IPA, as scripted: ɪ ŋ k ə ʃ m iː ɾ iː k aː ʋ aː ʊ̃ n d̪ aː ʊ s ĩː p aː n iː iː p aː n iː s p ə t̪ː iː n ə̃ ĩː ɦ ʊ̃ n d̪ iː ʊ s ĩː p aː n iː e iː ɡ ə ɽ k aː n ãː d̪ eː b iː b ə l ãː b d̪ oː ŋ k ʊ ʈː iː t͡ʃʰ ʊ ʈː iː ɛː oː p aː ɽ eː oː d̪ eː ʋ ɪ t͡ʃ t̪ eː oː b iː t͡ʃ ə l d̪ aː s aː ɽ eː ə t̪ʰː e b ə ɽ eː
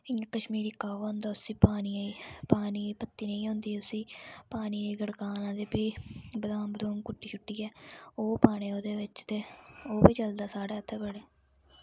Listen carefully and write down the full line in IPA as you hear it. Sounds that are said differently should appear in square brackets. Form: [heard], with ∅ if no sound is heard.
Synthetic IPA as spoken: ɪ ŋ k ə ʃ m iː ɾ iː k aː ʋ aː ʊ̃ n d̪ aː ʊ s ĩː p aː n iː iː p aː n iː [∅] p ə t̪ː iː n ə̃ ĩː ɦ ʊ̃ n d̪ iː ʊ s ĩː p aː n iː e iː ɡ ə ɽ k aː n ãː d̪ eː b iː b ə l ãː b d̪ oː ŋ k ʊ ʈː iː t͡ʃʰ ʊ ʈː iː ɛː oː p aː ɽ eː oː d̪ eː ʋ ɪ t͡ʃ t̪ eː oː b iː t͡ʃ ə l d̪ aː s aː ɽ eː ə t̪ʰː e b ə ɽ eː